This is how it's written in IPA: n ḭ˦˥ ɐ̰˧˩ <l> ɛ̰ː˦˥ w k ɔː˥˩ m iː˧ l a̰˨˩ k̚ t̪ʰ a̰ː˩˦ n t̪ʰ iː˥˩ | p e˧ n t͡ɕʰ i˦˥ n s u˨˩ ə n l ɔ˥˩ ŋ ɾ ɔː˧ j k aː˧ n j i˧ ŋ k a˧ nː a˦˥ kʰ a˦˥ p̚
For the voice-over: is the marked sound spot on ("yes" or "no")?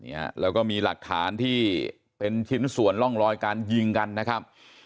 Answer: yes